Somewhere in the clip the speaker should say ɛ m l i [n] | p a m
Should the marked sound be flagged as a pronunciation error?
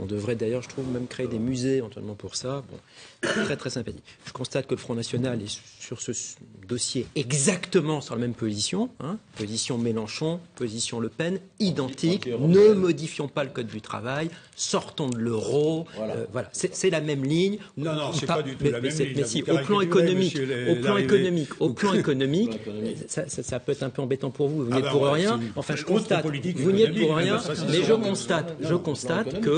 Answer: yes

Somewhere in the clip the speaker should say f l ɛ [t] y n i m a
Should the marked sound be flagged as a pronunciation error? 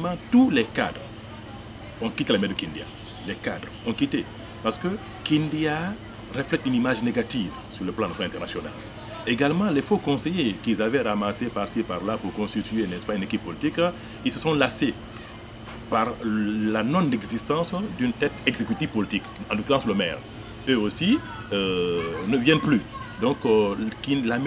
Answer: no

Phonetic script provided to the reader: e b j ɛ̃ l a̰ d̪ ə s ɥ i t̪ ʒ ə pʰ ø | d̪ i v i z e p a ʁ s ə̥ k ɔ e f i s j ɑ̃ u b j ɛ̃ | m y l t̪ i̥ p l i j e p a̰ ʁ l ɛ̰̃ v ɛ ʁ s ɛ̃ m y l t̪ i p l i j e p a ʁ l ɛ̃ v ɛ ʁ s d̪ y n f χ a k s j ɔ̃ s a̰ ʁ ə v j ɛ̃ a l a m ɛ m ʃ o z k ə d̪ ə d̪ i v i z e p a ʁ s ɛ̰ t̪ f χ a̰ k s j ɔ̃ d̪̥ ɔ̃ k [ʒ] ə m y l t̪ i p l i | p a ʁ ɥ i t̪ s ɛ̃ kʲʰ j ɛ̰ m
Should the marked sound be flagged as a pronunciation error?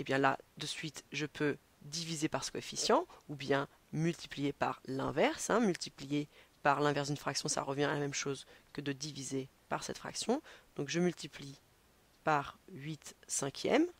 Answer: no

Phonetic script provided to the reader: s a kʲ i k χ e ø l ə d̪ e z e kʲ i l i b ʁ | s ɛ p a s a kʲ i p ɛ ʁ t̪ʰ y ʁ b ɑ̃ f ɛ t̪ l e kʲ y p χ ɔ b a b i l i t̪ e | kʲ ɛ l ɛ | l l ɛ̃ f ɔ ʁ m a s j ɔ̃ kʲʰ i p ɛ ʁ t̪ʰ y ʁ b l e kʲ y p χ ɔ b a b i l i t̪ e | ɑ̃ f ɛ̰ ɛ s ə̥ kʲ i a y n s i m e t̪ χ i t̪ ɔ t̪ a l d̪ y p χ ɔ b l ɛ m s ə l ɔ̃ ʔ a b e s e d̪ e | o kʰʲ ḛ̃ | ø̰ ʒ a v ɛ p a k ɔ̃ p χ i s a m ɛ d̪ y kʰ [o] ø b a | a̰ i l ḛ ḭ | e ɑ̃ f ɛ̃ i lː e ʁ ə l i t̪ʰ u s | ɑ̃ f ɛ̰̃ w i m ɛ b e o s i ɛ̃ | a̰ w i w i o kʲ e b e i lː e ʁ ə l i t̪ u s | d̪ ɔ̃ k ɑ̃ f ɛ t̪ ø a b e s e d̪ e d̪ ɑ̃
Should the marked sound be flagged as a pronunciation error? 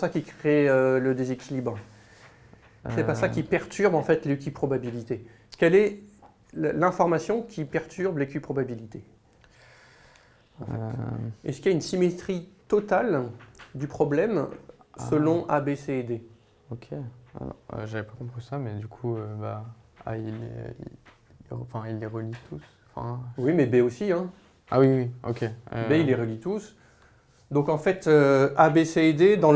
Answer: yes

